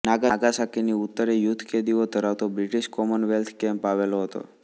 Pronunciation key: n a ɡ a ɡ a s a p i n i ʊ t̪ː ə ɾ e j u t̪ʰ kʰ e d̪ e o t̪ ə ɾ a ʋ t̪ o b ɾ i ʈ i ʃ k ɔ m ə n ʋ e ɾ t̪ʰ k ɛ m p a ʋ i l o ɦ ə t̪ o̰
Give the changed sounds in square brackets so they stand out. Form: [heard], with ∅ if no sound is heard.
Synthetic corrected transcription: n a ɡ a ɡ a s a [k] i n i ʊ t̪ː ə ɾ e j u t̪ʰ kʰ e d̪ [i] o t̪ ə ɾ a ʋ t̪ o b ɾ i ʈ i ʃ k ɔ m ə n ʋ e [l] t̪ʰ k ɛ m p a ʋ [e] l o ɦ ə t̪ o̰